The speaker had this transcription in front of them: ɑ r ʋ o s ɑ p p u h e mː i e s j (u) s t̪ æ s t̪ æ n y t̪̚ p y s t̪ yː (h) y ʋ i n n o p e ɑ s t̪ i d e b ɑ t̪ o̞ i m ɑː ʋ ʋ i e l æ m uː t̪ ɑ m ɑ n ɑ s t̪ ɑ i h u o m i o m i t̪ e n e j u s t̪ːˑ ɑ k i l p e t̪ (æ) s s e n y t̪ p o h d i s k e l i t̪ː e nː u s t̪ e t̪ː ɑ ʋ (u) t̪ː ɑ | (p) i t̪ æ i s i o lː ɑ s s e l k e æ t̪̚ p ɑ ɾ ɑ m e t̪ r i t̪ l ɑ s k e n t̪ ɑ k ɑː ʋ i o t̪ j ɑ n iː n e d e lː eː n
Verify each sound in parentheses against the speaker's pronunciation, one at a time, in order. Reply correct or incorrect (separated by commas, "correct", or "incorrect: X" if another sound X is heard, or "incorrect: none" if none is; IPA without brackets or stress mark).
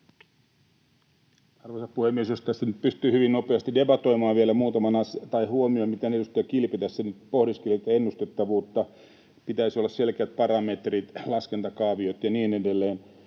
incorrect: o, correct, correct, incorrect: uː, correct